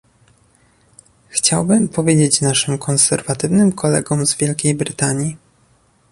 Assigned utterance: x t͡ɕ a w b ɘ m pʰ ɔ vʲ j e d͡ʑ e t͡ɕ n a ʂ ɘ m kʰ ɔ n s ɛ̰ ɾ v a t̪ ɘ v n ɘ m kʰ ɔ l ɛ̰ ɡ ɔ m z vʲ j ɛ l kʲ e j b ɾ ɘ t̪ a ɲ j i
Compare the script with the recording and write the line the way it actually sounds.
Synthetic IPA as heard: x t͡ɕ a w b ɘ m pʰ ɔ vʲ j e d͡ʑ e t͡ɕ n a ʂ ɘ m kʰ ɔ n s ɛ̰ ɾ v a t̪ ɘ v n ɘ m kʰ ɔ l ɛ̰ ɡ ɔ m z vʲ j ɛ l kʲ e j b ɾ ɘ t̪ a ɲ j i